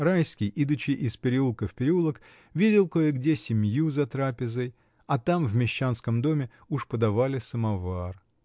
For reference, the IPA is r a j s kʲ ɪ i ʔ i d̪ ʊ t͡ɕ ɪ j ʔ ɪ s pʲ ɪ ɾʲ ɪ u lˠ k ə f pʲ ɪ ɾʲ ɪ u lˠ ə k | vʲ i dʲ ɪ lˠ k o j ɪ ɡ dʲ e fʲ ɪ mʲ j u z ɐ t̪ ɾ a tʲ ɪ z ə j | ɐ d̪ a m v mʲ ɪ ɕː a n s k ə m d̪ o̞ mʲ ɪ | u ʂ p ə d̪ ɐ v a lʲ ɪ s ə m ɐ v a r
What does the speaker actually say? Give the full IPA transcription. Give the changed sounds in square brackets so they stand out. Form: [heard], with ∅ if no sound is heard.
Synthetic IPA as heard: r a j s kʲ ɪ [j] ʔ i d̪ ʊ t͡ɕ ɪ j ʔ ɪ s pʲ ɪ ɾʲ ɪ u lˠ k ə f pʲ ɪ ɾʲ ɪ u lˠ ə k | vʲ i dʲ ɪ lˠ k o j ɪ ɡ dʲ e [sʲ] ɪ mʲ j u z ɐ t̪ ɾ a [pʲ] ɪ z ə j | ɐ [t̪] a m v mʲ ɪ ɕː a n s k ə m d̪ o̞ mʲ ɪ | u ʂ p ə d̪ ɐ v a lʲ ɪ s ə m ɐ v a r